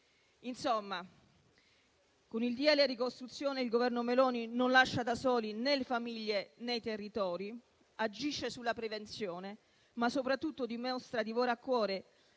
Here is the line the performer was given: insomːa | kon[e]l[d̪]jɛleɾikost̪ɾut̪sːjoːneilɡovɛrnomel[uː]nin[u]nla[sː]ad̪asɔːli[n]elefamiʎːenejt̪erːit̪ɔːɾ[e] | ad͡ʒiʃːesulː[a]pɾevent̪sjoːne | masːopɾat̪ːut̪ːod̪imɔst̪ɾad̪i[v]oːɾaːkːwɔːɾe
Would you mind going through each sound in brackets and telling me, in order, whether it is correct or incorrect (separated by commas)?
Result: incorrect, correct, incorrect, incorrect, incorrect, correct, incorrect, correct, correct